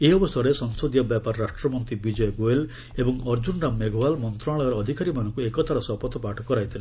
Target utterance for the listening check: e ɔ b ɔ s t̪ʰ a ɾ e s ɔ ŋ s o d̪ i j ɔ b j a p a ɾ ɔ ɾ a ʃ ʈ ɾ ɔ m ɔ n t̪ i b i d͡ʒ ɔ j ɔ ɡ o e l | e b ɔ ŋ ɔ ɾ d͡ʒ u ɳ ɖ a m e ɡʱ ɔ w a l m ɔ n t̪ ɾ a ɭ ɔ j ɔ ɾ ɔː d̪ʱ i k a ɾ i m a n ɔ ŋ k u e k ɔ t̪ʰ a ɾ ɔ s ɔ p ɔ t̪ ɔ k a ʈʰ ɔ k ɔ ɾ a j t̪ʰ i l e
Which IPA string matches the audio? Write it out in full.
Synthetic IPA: e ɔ b ɔ s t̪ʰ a ɾ e s ɔ ŋ s o d̪ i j ɔ b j a p a ɾ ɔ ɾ a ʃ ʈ ɾ ɔ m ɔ n t̪ i b i d͡ʒ ɔ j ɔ ɡ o e l | e b ɔ ŋ ɔ ɾ d͡ʒ u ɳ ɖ a m e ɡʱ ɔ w a l m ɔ n t̪ ɾ a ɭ ɔ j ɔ ɾ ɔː d̪ʱ i k a ɾ i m a n ɔ ŋ k u e k ɔ t̪ʰ a ɾ ɔ s ɔ p ɔ t̪ ɔ p a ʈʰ ɔ k ɔ ɾ a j t̪ʰ i l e